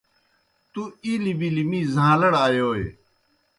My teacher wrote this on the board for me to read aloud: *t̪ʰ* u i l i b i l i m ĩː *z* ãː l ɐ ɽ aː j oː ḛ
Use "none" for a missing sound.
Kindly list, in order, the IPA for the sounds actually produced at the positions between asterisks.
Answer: t̪, z

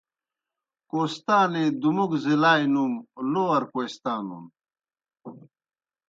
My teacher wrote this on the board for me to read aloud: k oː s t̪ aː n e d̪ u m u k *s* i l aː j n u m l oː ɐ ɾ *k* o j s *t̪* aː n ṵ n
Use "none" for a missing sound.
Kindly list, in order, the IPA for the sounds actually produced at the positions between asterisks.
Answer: z, k, t̪

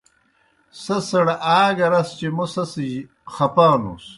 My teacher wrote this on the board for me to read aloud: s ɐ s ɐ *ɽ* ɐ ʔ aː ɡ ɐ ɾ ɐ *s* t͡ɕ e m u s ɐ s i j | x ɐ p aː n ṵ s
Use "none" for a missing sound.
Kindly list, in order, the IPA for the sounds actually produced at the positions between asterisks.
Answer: ɽ, s

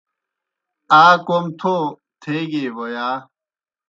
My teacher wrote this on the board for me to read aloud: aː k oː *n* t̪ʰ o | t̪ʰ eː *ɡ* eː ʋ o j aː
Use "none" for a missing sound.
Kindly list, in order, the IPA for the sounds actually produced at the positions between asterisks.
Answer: m, ɡ

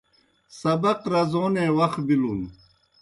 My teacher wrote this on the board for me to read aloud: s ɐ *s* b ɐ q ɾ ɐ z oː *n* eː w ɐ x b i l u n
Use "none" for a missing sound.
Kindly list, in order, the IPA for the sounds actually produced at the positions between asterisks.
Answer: none, n

